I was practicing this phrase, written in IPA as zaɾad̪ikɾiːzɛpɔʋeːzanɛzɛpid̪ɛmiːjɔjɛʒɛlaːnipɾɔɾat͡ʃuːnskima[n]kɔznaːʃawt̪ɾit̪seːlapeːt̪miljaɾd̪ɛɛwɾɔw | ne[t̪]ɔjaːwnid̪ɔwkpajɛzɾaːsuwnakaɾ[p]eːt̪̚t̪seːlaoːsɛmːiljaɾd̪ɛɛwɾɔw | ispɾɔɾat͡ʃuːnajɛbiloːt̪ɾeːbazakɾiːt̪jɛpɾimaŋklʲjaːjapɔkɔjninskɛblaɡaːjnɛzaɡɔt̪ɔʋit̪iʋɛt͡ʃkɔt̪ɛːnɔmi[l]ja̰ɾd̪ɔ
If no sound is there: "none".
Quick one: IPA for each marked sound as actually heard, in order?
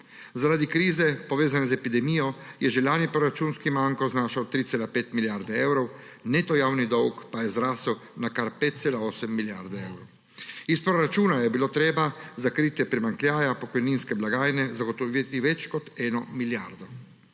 ŋ, t̪, p, l

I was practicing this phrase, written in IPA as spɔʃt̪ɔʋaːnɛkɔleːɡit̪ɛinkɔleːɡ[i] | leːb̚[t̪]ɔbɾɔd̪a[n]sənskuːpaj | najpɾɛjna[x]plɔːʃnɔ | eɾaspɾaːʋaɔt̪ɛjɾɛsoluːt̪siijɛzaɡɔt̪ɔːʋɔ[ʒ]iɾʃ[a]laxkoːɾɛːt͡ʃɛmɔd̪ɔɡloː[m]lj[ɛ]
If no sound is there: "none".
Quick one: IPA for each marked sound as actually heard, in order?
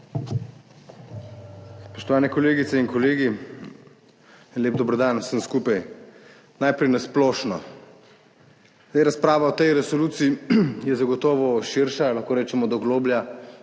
i, d̪, n, s, ʃ, a, b, a

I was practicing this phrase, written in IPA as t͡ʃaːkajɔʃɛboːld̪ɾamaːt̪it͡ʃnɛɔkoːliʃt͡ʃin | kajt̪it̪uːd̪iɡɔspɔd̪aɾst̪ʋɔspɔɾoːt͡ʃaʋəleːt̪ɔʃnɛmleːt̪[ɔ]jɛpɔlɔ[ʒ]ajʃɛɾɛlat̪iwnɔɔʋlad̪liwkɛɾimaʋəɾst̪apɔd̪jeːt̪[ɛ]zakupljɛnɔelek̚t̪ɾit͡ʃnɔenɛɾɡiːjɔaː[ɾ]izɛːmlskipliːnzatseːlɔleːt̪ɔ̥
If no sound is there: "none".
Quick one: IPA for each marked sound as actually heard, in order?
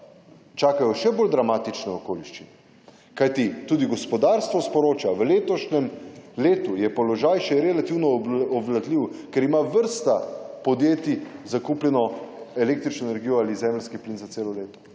u, ʒ, i, l

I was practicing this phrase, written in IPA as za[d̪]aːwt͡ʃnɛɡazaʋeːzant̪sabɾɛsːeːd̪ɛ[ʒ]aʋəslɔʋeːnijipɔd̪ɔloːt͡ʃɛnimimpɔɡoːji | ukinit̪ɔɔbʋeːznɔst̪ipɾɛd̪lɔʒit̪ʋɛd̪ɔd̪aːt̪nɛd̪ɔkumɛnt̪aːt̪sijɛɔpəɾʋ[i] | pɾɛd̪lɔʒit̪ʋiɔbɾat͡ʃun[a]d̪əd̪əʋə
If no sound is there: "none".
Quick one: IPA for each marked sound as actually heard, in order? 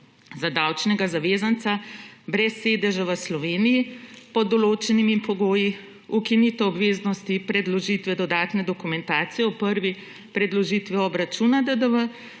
d̪, ʒ, i, a

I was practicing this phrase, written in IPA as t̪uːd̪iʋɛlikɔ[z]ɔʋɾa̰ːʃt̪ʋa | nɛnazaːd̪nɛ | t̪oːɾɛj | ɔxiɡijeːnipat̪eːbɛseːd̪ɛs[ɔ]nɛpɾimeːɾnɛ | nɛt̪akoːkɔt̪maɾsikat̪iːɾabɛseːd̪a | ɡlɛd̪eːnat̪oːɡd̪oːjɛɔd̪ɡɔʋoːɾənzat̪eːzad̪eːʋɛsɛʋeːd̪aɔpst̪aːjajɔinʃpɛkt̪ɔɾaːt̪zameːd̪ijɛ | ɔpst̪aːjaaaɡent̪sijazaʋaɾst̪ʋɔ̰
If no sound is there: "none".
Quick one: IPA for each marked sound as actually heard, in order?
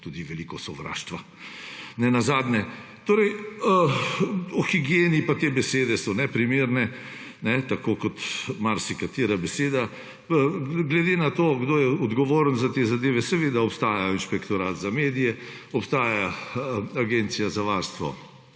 s, ɔ

